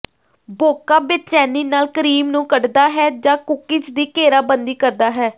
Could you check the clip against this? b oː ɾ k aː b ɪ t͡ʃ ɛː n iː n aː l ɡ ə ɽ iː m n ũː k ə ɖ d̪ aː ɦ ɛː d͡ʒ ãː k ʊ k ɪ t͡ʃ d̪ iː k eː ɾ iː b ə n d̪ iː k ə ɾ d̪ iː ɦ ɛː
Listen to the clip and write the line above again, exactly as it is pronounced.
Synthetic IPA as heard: b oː k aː b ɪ t͡ʃ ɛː n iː n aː l k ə ɾ iː m n ũː k ə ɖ d̪ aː ɦ ɛː d͡ʒ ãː k ʊ k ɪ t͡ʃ d̪ iː k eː ɾ aː b ə n d̪ iː k ə ɾ d̪ aː ɦ ɛː